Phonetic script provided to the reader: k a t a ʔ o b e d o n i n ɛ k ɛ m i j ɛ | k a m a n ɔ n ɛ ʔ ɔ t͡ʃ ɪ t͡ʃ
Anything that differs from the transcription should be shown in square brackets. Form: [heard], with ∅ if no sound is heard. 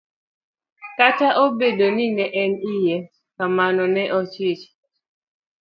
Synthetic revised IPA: k a t a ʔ o b e d o n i n ɛ [ʔ] ɛ [n] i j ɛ | k a m a n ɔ n ɛ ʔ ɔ t͡ʃ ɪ t͡ʃ